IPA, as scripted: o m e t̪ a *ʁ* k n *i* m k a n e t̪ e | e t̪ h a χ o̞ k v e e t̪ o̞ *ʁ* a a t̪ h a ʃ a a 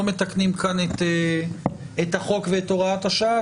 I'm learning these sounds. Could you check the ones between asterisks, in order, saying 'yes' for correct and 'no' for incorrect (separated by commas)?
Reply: no, yes, yes